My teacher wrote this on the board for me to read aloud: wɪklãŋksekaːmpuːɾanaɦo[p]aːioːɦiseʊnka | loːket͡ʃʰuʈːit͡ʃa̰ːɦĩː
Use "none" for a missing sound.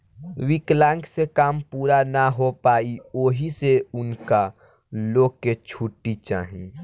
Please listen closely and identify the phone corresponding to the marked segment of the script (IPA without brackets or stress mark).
p